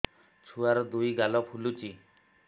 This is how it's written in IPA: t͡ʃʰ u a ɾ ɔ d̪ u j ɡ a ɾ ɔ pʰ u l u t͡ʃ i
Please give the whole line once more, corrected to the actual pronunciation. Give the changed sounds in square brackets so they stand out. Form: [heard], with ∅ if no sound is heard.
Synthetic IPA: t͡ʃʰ u a ɾ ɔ d̪ u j ɡ a [l] ɔ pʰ u l u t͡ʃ i